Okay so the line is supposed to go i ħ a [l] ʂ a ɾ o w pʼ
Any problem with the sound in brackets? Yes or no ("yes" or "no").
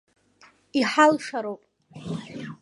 no